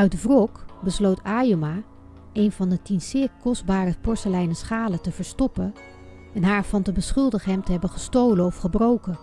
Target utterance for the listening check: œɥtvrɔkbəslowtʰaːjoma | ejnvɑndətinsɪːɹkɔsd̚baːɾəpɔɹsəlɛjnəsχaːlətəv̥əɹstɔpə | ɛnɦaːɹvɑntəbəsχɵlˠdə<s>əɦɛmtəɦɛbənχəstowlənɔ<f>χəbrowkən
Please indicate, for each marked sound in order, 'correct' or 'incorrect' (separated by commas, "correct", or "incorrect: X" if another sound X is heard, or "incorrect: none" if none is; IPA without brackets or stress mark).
incorrect: χ, correct